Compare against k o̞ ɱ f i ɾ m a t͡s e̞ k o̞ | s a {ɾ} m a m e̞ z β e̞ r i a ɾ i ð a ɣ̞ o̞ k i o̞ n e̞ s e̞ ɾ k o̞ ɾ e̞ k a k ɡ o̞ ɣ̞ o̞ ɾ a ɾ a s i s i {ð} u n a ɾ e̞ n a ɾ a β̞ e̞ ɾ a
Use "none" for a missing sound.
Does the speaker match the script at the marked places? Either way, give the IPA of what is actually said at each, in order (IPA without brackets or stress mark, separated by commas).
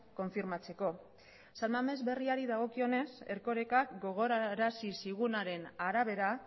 l, ɣ